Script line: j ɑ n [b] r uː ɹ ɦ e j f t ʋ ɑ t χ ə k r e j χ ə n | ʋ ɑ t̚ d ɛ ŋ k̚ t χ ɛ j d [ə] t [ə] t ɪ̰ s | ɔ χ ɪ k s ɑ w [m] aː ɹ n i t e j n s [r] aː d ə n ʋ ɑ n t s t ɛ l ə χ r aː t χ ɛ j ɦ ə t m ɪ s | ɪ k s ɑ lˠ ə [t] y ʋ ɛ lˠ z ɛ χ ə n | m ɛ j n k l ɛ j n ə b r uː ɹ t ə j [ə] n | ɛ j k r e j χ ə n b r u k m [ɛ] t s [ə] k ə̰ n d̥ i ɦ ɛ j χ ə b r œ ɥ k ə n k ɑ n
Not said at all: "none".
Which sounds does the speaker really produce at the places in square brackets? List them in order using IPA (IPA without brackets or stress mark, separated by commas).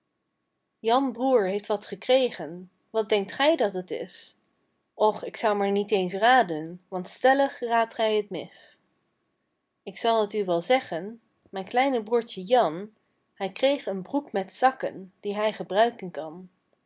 b, ɑ, ə, m, r, t, ɑ, ɛ, ɑ